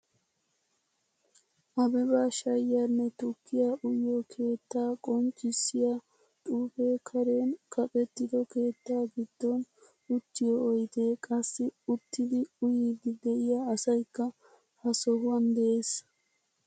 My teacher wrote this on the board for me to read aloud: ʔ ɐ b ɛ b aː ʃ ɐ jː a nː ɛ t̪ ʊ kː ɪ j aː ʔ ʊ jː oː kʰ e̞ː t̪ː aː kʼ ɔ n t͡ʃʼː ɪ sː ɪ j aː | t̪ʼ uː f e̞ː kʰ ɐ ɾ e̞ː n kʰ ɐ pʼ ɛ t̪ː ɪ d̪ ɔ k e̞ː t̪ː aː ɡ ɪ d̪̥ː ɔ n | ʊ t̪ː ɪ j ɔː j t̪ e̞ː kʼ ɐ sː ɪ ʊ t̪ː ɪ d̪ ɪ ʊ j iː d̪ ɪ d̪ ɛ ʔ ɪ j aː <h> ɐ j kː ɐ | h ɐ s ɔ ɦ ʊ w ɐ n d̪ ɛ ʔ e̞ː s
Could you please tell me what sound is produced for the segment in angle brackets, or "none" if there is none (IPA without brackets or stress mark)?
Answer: s